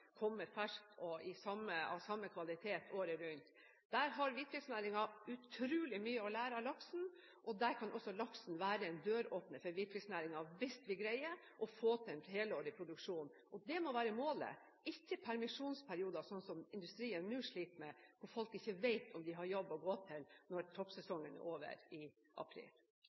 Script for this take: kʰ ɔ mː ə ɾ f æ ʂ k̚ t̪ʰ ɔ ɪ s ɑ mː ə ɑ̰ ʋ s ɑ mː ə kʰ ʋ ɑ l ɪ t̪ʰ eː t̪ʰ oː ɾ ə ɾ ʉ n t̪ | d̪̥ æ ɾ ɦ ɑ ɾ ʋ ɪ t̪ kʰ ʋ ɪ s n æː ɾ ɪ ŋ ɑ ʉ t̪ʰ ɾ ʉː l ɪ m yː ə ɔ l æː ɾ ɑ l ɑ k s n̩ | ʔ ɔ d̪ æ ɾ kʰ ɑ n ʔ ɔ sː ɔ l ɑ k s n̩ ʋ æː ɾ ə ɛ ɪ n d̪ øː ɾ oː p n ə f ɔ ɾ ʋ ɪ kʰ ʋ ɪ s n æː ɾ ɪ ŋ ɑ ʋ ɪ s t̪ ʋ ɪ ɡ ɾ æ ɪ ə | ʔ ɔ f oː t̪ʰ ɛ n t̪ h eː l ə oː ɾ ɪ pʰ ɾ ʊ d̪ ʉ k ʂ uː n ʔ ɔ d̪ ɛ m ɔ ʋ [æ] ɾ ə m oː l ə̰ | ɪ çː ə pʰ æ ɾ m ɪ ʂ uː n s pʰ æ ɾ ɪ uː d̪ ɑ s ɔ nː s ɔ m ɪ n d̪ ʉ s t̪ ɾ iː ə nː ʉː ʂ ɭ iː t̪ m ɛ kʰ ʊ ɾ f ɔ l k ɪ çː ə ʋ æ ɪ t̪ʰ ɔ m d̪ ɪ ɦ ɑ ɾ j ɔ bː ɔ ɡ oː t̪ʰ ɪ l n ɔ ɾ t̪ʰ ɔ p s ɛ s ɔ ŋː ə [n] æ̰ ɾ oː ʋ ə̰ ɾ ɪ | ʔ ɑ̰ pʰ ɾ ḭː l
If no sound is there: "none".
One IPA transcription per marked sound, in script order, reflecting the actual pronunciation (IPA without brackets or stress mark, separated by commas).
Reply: æː, n